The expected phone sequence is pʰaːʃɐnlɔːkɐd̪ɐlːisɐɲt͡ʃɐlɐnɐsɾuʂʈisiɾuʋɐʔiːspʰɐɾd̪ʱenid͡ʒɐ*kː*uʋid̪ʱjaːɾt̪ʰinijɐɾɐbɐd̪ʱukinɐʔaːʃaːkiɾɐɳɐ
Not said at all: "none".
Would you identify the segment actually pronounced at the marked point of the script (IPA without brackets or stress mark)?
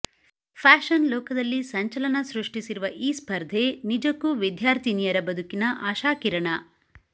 kː